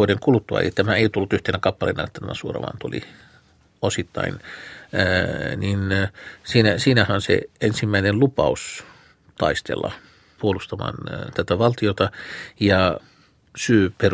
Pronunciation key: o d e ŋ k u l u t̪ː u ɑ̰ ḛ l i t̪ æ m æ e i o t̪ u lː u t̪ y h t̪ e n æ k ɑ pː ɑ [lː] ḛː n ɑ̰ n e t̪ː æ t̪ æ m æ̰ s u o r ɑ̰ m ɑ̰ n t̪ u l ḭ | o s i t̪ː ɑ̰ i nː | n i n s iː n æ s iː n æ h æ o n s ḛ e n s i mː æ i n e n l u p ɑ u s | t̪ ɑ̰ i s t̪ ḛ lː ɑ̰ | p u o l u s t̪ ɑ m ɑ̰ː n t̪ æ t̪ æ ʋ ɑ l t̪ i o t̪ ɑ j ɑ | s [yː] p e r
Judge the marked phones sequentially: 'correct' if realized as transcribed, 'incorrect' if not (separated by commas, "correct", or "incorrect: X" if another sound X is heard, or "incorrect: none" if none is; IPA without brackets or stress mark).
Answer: incorrect: l, correct